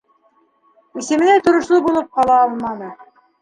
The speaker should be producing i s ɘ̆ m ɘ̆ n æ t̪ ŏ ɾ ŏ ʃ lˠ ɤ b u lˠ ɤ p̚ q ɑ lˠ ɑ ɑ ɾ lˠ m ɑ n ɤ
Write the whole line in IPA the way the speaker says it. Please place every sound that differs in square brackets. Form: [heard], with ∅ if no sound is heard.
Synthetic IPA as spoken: i s ɘ̆ m ɘ̆ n æ t̪ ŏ ɾ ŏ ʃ lˠ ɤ b u lˠ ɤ p̚ q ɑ lˠ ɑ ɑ [∅] lˠ m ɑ n ɤ